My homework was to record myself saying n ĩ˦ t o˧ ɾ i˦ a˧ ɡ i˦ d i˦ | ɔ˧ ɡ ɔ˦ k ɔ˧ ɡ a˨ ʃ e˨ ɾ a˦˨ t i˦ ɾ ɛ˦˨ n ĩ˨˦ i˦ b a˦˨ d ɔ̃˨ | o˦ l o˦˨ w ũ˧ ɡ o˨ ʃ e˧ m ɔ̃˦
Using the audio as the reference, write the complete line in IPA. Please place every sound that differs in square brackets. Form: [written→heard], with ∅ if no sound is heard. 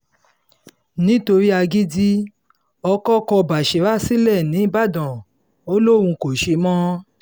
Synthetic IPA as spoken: n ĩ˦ t o˧ ɾ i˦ a˧ ɡ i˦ d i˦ | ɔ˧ [ɡ→k] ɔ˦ k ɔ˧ [ɡ→b] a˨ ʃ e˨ ɾ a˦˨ [t→s] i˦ [ɾ→l] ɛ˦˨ n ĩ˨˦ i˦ b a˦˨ d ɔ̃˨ | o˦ l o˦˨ w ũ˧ [ɡ→k] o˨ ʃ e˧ m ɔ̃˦